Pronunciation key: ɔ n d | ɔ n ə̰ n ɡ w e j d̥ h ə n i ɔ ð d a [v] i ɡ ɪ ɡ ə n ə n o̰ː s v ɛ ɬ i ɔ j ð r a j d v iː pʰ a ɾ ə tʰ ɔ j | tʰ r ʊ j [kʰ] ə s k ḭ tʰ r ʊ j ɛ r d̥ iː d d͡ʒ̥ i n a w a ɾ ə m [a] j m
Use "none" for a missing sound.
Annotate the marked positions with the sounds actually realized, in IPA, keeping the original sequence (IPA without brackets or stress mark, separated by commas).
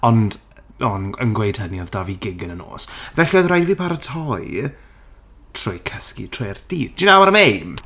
v, kʰ, e